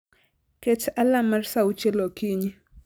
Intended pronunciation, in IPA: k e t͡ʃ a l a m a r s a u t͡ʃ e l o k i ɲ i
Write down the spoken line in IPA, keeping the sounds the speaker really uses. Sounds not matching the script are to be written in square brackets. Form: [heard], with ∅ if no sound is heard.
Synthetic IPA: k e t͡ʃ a l a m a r s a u t͡ʃ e l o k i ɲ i

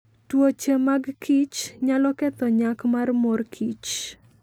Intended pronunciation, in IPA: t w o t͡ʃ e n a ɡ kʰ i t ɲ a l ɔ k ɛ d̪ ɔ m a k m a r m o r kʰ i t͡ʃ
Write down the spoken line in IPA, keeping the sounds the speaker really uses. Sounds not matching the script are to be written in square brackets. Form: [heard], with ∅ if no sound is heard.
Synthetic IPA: t w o t͡ʃ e [m] a ɡ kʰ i [t͡ʃ] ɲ a l ɔ k ɛ [t̪] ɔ [ɲ] a k m a r m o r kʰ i t͡ʃ

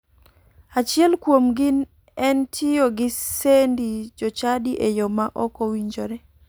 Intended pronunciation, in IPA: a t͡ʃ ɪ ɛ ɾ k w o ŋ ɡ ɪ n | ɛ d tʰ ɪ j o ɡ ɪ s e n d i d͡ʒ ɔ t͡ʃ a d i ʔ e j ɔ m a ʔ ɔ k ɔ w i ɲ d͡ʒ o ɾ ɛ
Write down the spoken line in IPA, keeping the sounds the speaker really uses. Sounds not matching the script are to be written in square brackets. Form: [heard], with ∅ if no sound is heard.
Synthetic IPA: a t͡ʃ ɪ ɛ [l] k w o [m] ɡ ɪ n | ɛ [n] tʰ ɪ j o ɡ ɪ s e n d i d͡ʒ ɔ t͡ʃ a d i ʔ e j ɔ m a ʔ ɔ k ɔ w i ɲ d͡ʒ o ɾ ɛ

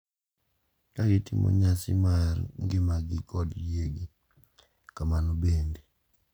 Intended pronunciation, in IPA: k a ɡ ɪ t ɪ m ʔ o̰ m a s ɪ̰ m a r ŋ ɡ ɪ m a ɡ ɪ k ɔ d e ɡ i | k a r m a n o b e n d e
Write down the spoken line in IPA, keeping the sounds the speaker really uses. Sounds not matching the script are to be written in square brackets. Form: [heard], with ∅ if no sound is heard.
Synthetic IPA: k a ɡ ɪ t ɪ m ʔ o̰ [ɲ] a s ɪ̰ m a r ŋ ɡ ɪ m a ɡ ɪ k ɔ d e ɡ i | k a [∅] m a n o b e n d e

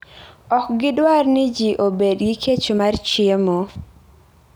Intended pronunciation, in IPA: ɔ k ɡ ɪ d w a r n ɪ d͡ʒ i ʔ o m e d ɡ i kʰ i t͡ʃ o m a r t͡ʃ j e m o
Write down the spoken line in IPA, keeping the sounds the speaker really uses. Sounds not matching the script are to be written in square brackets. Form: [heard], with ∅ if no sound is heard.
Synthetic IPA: ɔ k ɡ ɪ d w a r n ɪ d͡ʒ i ʔ o [b] e d ɡ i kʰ [e] t͡ʃ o m a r t͡ʃ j e m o

